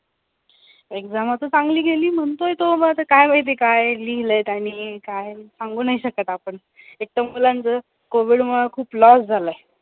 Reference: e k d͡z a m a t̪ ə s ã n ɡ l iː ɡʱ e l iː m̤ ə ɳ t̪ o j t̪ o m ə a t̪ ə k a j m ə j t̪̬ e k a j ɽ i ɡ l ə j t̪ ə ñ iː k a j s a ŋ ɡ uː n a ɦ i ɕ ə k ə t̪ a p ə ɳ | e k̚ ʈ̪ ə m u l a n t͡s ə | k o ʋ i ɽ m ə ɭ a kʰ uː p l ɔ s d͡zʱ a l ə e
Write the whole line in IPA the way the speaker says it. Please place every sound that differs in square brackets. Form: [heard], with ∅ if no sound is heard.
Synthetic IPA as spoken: e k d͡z a m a t̪ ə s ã [ŋ] ɡ l iː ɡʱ e l iː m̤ ə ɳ t̪ o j t̪ o m ə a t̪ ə k a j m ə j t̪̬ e k a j [l] i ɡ l ə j t̪ [a] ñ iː k a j s a ŋ ɡ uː n a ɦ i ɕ ə k ə t̪ a p ə ɳ | e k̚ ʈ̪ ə m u l a n t͡s ə | k o ʋ i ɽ m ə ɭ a kʰ uː p l ɔ s d͡zʱ a l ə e

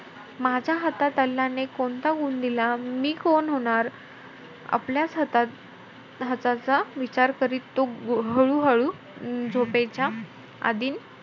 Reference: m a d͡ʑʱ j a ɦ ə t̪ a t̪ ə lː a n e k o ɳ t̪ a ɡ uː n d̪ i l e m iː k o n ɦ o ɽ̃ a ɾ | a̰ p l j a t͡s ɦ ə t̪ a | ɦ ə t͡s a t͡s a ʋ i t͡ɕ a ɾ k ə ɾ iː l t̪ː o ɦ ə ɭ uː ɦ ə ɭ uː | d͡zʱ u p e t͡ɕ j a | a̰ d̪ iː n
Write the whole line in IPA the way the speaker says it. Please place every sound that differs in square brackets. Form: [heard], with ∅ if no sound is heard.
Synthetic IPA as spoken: m a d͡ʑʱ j a ɦ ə t̪ a t̪ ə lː a n e k o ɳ t̪ a ɡ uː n d̪ i l [a] m iː k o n ɦ o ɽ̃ a ɾ | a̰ p l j a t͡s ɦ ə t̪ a | ɦ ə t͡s a t͡s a ʋ i t͡ɕ a ɾ k ə ɾ iː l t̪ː o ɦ ə ɭ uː ɦ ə ɭ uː | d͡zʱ [o] p e t͡ɕ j a | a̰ d̪ iː n

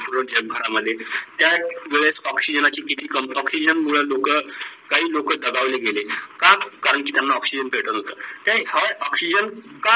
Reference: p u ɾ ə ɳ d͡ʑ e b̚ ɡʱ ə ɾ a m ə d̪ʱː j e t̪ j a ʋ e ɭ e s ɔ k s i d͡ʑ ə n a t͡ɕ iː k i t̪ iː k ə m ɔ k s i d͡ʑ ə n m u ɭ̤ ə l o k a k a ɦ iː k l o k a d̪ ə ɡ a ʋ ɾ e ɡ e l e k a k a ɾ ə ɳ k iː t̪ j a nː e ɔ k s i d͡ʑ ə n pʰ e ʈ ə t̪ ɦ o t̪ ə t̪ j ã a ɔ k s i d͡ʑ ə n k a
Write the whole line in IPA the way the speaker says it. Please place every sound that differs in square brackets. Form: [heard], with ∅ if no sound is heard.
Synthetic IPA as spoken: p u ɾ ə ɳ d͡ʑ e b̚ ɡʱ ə ɾ a m ə d̪ʱː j e t̪ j a ʋ e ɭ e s ɔ k s i d͡ʑ ə n a t͡ɕ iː k i t̪ iː k ə m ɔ k s i d͡ʑ ə n m u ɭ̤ ə l o k [ə] k a ɦ iː [∅] l o k [ə] d̪ ə ɡ a ʋ [l] e ɡ e l e k a k a ɾ ə ɳ k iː t̪ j a nː [a] ɔ k s i d͡ʑ ə n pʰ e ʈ ə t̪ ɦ o t̪ ə t̪ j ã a ɔ k s i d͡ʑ ə n k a

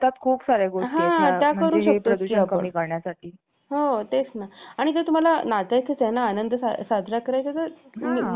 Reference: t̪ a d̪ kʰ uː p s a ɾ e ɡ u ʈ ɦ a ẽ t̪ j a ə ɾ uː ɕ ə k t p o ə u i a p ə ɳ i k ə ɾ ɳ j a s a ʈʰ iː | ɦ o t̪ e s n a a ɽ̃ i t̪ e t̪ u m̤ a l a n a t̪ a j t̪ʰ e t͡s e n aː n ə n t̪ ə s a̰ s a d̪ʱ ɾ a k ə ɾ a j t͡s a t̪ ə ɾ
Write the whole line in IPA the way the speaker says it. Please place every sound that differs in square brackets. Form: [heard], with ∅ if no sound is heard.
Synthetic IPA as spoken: t̪ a [t̪] kʰ uː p s a ɾ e ɡ [o] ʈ ɦ a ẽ t̪ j a ə ɾ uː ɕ ə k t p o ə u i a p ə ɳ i k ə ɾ ɳ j a s a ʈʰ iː | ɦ o t̪ e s n a a ɽ̃ i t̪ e t̪ u m̤ a l a n a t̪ a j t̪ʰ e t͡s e n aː n ə n [d̪] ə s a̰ s a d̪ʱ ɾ a k ə ɾ a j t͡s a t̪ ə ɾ

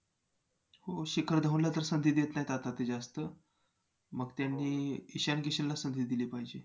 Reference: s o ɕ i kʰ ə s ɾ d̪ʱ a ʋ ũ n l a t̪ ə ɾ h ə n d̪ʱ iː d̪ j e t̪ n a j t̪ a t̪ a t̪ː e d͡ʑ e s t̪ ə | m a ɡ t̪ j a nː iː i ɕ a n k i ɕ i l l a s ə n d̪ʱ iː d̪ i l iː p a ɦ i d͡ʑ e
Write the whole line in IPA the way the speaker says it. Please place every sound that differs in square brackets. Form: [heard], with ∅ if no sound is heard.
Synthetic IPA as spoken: [h] o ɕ i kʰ ə [∅] ɾ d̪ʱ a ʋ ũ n l a t̪ ə ɾ [s] ə n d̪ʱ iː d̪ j e t̪ n a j t̪ a t̪ a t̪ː e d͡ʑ [a] s t̪ ə | m [ə] ɡ t̪ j a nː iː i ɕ a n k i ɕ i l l a s ə n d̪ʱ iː d̪ i l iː p a ɦ i d͡ʑ e

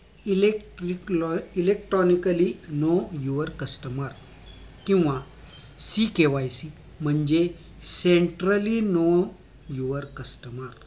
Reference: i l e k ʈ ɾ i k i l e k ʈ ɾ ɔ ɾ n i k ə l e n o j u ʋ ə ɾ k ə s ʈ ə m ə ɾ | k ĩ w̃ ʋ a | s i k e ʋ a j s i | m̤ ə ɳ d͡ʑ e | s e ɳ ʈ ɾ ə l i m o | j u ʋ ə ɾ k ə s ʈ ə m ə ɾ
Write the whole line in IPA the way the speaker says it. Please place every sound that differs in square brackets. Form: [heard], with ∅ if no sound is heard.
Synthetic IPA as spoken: i l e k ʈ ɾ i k i l e k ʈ ɾ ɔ [∅] n i k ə l [i] n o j u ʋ ə ɾ k ə s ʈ ə m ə ɾ | k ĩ w̃ ʋ a | s i k e ʋ a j s i | m̤ ə ɳ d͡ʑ e | s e ɳ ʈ ɾ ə l i [n] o | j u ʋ ə ɾ k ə s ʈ ə m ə ɾ

